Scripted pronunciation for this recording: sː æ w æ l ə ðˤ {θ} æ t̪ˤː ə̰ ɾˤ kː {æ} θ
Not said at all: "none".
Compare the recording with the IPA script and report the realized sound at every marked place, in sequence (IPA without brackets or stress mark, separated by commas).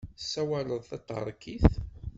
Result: θ, i